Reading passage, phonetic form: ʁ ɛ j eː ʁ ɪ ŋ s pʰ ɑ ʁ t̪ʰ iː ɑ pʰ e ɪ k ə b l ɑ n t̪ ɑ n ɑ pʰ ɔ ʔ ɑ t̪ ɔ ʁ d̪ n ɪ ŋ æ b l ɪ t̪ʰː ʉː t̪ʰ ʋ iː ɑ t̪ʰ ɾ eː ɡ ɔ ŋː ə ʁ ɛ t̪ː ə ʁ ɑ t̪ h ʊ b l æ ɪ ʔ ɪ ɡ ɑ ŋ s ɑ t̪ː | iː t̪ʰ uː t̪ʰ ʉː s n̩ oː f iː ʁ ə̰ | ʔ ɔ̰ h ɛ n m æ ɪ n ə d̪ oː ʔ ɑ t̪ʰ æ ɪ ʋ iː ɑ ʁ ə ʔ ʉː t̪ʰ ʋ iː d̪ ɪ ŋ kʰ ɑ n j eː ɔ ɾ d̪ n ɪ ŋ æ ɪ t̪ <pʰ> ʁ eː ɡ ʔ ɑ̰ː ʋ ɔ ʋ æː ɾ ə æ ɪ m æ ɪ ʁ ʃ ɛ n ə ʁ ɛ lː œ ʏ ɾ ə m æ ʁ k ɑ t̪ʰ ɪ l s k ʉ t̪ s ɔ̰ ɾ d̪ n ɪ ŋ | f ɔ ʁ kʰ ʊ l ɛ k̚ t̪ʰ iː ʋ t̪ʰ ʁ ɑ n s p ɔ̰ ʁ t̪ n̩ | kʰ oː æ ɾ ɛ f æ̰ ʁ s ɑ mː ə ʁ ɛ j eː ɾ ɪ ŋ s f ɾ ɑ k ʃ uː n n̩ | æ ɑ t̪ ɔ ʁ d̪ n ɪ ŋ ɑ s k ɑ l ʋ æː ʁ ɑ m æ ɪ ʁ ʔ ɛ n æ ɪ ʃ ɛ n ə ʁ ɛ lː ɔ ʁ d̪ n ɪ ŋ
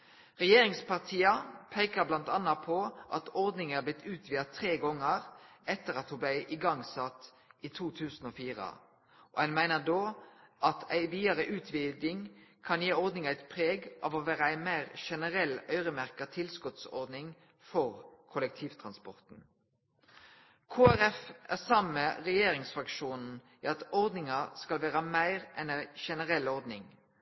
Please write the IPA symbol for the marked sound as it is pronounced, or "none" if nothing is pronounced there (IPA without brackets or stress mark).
pʰ